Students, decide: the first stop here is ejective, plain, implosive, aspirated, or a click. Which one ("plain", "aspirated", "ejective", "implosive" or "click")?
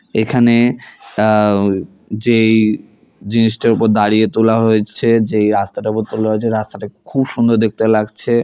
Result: aspirated